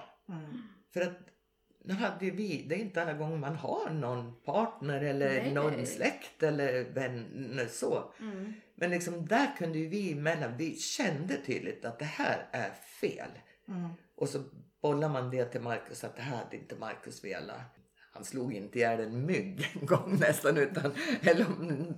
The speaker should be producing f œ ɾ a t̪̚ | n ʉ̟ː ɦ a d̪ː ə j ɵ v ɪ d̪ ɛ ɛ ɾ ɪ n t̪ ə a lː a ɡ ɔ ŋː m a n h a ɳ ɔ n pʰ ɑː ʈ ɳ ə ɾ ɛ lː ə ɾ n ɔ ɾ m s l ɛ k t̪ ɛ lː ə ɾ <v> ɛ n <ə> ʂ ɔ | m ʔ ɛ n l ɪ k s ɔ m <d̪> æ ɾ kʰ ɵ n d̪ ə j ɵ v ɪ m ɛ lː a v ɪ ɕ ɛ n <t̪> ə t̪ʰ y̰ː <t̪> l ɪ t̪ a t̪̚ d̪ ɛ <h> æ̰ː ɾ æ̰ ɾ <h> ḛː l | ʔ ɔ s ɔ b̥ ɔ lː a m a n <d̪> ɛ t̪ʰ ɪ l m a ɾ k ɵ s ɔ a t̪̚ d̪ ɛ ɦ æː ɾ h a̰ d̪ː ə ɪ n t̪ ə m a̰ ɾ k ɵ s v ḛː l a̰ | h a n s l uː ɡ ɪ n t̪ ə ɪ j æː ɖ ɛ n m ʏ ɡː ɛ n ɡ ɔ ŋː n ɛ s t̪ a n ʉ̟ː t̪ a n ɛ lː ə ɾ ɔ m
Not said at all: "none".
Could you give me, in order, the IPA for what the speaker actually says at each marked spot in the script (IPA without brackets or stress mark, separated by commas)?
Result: v, ə, d̪, d̪, d̪, h, f, d̪